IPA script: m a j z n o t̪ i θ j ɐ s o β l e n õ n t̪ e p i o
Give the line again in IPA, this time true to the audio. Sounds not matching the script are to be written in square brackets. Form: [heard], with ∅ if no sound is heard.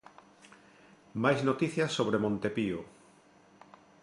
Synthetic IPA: m a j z n o t̪ i θ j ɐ s o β [ɾ] e [m] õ n t̪ e p i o